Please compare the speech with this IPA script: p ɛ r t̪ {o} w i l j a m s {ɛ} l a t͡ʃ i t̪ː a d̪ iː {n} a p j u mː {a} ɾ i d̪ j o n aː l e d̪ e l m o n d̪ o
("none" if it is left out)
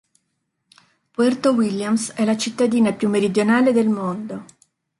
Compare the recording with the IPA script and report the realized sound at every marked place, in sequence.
o, ɛ, n, e

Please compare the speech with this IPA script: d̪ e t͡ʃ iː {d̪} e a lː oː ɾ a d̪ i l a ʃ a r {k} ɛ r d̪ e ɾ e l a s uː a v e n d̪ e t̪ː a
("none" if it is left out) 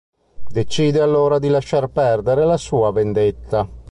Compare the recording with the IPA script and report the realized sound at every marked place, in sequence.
d̪, p

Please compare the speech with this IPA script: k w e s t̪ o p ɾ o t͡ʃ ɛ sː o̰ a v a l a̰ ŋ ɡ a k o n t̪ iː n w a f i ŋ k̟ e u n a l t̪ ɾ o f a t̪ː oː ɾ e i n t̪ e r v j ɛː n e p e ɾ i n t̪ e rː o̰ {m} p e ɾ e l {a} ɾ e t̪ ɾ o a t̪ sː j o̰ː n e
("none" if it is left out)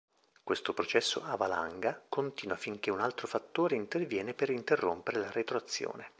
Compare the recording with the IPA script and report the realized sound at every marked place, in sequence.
m, a

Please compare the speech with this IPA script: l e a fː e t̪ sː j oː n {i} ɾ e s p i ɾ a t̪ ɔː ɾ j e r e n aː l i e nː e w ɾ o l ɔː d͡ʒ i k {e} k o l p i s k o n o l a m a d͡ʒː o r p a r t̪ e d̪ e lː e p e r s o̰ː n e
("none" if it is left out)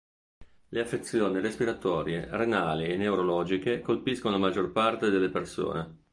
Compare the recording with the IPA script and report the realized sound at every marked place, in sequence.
i, e

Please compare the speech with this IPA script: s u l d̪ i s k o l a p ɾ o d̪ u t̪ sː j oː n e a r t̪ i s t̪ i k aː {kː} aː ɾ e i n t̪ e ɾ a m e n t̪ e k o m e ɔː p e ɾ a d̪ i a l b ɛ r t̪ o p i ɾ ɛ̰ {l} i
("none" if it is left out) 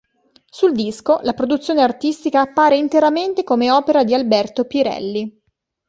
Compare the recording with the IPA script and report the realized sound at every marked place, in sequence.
pː, lː

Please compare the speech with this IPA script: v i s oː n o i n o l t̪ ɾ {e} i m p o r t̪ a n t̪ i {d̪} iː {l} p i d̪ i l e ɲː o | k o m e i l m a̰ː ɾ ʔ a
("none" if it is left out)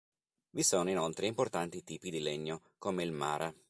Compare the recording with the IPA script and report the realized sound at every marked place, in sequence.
e, t̪, none

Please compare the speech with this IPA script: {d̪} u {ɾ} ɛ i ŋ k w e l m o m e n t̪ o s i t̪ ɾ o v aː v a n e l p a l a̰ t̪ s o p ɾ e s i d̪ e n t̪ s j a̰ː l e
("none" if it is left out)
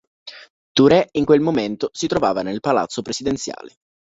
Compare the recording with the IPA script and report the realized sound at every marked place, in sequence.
t̪, ɾ

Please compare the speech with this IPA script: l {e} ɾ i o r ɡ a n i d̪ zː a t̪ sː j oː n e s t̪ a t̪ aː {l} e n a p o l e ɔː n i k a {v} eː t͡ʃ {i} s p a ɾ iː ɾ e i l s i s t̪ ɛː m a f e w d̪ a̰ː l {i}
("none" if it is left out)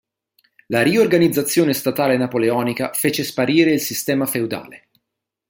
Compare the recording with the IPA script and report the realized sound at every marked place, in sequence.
a, l, f, e, e

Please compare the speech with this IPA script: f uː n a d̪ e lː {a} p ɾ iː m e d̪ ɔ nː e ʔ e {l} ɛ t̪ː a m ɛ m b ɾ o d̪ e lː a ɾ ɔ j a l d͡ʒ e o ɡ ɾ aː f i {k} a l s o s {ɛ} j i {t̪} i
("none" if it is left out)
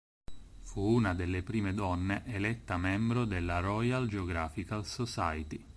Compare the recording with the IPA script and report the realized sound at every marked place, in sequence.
e, l, k, a, t̪

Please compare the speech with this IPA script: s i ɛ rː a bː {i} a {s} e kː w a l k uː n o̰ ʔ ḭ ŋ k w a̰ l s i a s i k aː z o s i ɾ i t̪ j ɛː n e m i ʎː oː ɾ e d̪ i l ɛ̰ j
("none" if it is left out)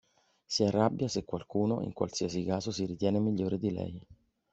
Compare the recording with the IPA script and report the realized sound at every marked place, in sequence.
j, s

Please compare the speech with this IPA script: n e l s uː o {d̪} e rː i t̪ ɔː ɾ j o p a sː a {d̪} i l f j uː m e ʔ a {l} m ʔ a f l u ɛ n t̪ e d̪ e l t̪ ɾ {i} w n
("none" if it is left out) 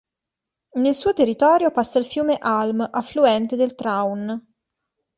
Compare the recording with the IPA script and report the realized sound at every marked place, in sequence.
t̪, none, l, a

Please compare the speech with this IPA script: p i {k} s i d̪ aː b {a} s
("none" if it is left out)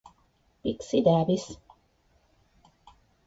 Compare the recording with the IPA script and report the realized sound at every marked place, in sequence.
k, i

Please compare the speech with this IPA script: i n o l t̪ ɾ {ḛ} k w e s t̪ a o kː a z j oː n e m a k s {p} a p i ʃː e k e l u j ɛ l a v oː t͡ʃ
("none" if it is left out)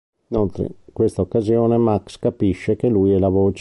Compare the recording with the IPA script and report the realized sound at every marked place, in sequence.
ḛ, k

